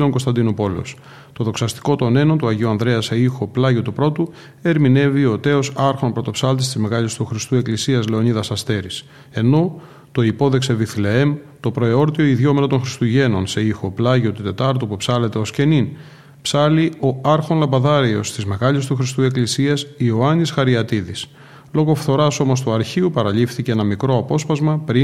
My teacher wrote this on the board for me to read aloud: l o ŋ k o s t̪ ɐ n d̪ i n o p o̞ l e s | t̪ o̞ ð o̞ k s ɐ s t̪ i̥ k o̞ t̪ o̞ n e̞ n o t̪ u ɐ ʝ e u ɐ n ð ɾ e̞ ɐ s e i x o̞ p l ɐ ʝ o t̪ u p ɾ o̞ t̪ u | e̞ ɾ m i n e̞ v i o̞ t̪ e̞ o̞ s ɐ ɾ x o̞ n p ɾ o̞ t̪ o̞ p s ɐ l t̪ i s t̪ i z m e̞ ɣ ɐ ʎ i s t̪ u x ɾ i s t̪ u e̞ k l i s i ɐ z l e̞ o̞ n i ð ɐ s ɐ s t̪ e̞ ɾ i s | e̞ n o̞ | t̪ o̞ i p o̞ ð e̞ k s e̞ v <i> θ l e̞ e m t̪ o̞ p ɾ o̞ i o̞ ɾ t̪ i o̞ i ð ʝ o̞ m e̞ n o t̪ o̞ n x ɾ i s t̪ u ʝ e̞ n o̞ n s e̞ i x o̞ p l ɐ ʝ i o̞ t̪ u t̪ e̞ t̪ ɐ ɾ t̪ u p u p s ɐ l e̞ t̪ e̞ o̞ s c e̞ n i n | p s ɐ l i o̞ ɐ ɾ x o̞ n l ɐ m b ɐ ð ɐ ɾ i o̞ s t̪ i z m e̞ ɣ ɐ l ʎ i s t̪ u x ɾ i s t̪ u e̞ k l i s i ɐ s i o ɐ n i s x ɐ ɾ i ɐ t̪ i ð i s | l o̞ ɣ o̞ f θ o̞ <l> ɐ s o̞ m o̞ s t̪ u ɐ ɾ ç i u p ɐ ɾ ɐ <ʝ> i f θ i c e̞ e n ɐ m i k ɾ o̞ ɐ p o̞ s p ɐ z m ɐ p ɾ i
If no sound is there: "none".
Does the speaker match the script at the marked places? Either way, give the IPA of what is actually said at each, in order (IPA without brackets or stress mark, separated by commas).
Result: i, ɾ, ʎ